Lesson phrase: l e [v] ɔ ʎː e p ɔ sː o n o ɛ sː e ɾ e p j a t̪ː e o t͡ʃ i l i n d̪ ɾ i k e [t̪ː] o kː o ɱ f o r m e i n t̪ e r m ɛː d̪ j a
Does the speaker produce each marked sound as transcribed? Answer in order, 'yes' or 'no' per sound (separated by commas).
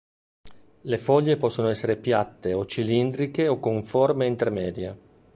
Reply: no, no